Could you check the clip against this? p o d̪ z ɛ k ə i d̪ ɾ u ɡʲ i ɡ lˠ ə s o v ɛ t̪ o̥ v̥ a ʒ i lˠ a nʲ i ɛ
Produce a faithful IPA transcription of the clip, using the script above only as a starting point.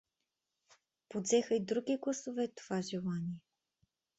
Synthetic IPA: p o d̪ z ɛ x ə i d̪ ɾ u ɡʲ i ɡ lˠ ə s o v ɛ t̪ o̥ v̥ a ʒ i lˠ a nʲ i ɛ